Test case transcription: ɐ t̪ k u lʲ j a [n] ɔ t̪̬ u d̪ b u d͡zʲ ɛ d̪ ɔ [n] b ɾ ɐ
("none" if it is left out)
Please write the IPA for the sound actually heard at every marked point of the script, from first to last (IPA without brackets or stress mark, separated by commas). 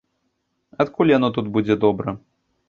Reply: n, none